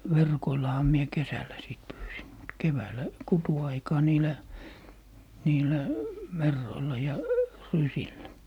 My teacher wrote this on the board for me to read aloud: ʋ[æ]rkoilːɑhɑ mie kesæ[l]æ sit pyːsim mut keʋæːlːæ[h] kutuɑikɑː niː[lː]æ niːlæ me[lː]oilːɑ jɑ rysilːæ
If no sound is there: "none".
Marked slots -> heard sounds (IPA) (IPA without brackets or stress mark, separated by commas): e, lː, none, l, rː